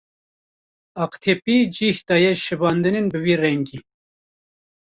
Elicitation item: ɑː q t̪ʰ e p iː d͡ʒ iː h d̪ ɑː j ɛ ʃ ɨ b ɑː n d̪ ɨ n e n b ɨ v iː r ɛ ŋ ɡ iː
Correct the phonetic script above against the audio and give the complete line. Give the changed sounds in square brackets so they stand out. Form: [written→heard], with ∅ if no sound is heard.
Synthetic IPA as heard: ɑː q t̪ʰ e p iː d͡ʒ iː h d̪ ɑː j ɛ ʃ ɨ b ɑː n d̪ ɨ n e n b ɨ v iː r ɛ ŋ ɡ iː